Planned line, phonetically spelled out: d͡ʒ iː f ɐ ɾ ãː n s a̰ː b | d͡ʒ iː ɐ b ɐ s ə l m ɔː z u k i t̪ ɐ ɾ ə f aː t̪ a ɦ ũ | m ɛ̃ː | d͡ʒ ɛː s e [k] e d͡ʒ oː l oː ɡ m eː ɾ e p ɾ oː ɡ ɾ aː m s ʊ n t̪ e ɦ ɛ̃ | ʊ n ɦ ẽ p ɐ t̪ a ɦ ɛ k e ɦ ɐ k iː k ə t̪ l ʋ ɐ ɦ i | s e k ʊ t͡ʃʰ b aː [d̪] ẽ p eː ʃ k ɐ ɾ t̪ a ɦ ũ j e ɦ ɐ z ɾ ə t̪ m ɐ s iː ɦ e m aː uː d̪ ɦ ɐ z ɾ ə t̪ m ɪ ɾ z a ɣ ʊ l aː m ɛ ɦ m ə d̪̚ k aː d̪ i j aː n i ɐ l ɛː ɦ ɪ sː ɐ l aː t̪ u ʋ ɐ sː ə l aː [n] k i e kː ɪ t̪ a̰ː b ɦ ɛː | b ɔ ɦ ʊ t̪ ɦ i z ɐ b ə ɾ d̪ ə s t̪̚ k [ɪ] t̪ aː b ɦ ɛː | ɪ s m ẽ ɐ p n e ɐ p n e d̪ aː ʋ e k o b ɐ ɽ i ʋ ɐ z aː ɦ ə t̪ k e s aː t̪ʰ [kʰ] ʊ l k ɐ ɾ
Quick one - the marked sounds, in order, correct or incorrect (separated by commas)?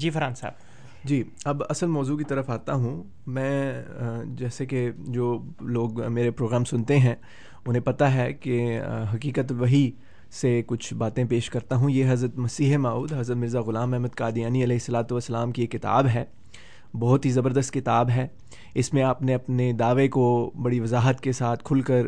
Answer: correct, incorrect, incorrect, correct, correct